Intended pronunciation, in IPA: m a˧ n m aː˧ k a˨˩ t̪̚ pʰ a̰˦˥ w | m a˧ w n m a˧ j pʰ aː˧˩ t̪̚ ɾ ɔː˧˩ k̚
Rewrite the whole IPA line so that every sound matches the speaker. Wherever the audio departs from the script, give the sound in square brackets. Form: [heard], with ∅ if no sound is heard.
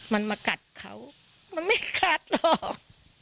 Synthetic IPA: m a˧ n m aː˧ k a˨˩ t̪̚ [kʰ] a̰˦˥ w | m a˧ [∅] n m [a˥˩] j [kʰ] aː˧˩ t̪̚ [l] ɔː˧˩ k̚